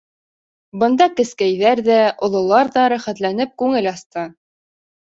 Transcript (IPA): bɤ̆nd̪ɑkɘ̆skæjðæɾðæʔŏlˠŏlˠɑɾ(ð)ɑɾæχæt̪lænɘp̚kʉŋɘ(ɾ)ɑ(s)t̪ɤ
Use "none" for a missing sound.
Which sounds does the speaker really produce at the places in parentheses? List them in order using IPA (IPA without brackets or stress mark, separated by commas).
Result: ð, l, s